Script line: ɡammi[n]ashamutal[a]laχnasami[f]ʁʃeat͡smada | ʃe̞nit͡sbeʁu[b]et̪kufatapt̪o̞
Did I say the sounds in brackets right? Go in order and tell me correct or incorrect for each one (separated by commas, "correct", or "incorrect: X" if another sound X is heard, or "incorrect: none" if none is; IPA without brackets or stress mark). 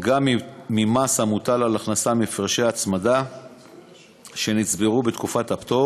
incorrect: m, correct, correct, correct